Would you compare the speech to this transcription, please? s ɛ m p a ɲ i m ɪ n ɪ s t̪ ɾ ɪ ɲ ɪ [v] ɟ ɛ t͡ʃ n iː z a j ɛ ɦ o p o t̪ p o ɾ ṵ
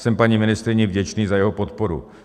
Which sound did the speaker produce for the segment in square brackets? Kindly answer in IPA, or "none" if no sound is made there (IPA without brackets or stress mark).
v